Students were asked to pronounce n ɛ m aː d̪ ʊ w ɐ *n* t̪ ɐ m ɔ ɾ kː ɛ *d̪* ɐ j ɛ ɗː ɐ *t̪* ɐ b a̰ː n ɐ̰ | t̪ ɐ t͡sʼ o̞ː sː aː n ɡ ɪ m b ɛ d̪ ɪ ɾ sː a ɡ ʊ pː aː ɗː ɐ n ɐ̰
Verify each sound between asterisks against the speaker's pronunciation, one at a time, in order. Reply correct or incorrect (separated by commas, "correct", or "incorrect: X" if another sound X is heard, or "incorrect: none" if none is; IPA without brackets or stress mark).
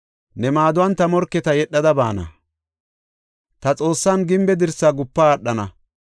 correct, incorrect: t̪, incorrect: d̪